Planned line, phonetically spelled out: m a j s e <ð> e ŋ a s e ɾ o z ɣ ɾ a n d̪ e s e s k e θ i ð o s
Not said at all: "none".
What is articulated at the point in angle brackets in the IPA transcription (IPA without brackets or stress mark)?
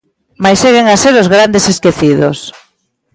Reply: ɣ